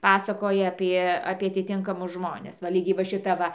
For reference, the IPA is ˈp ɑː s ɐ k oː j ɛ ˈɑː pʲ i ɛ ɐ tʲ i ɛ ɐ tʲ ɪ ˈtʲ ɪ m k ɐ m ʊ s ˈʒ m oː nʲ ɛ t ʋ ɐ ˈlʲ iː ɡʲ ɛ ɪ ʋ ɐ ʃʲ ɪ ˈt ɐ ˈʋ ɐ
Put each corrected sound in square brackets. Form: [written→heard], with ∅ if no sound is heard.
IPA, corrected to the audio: ˈp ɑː s ɐ k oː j ɛ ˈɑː pʲ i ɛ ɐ [tʲ→pʲ] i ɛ ɐ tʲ ɪ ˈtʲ ɪ [m→ŋ] k ɐ m ʊ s ˈʒ m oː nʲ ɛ [t→s] ʋ ɐ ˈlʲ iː ɡʲ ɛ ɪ ʋ ɐ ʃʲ ɪ ˈt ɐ ˈʋ ɐ